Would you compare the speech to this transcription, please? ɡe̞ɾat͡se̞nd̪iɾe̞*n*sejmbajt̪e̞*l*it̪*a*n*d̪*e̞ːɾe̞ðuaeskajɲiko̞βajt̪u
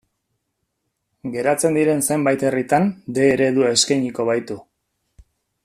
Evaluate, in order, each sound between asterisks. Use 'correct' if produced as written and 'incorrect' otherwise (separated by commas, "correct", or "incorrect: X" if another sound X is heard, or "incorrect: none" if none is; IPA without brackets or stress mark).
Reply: correct, incorrect: r, correct, correct